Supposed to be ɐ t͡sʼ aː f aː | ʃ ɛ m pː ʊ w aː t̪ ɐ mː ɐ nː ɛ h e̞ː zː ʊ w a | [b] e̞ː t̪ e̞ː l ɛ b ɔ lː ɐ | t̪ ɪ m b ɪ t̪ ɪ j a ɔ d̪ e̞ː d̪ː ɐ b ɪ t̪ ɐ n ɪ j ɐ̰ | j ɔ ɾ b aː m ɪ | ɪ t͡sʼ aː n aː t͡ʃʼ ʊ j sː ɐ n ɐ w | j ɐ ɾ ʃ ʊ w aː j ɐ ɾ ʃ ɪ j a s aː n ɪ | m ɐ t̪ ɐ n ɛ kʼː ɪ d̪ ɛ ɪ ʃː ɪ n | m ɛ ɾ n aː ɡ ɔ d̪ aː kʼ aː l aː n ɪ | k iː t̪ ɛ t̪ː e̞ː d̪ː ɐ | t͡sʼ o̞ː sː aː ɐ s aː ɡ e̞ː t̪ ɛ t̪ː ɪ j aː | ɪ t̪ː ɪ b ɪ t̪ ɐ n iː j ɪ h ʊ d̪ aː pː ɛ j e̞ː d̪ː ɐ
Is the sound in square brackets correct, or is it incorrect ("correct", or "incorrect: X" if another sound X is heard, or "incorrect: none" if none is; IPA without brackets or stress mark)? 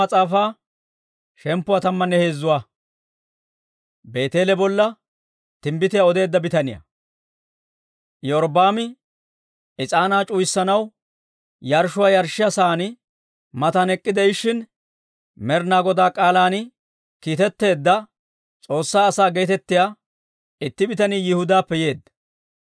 correct